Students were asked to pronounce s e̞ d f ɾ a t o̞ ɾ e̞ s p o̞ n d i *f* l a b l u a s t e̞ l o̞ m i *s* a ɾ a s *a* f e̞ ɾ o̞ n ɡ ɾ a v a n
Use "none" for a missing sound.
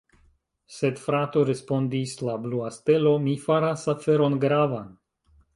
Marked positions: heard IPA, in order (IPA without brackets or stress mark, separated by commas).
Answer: s, f, a